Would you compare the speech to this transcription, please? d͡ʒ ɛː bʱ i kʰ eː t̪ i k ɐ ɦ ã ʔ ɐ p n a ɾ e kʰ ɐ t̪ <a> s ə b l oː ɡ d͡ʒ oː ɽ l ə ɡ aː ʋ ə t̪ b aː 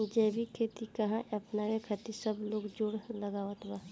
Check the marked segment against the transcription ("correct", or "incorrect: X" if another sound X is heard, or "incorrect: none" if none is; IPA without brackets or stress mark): incorrect: i